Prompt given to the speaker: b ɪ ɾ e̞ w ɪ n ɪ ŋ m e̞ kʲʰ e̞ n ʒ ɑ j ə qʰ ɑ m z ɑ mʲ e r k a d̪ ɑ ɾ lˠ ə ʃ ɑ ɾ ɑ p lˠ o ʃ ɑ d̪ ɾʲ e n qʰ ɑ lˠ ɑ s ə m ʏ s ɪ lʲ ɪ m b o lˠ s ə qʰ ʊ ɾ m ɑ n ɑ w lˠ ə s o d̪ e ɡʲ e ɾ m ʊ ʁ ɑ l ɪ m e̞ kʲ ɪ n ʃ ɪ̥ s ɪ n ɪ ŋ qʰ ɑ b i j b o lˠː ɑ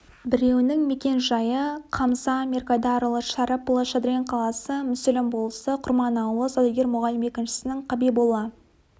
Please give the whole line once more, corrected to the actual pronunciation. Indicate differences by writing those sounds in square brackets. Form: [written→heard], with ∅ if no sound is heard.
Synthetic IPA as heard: b ɪ ɾ e̞ w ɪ n ɪ ŋ m e̞ [kʲʰ→kʲ] e̞ n ʒ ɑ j ə qʰ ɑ m z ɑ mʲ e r k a d̪ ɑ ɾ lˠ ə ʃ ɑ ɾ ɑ p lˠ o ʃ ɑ d̪ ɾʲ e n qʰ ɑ lˠ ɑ s ə m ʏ s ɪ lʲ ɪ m b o lˠ s ə qʰ ʊ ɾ m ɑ n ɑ w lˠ ə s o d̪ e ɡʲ e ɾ m ʊ ʁ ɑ l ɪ m e̞ kʲ ɪ n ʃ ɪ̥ s ɪ n ɪ ŋ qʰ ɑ b i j b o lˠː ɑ